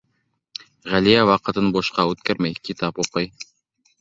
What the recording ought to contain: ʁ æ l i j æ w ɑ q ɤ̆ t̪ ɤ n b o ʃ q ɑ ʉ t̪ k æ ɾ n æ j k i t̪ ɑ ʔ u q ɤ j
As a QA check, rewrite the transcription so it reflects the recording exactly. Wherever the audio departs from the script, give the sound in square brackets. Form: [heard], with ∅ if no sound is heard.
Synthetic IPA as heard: ʁ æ l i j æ w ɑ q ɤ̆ t̪ ɤ n b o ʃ q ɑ ʉ t̪ k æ ɾ [m] æ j k i t̪ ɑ [p] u q ɤ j

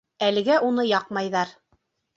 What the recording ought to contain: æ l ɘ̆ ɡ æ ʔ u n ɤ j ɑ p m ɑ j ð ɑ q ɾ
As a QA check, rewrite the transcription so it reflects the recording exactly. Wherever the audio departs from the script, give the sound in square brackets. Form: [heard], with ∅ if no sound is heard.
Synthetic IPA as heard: æ l ɘ̆ ɡ æ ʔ u n ɤ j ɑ [q] m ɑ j ð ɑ [∅] ɾ

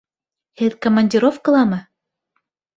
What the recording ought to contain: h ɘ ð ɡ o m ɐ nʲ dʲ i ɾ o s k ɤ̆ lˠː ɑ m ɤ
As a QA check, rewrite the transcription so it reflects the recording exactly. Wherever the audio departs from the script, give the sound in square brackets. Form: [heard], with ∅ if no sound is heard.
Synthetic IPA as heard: h ɘ ð [k] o m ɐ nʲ dʲ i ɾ o [f] k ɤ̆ [lˠ] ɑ m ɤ

